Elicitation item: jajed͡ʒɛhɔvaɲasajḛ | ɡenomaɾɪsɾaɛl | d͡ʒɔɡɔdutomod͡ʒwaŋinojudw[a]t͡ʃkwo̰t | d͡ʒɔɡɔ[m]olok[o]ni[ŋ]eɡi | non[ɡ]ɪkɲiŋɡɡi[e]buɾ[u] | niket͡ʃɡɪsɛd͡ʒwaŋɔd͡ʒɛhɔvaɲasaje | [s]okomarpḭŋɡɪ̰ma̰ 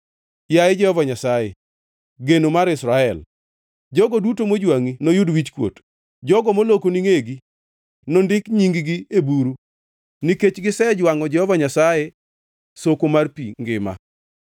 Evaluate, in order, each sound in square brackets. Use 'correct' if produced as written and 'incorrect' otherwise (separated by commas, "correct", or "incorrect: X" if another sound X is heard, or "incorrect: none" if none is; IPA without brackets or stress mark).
incorrect: i, correct, correct, correct, incorrect: d, correct, correct, correct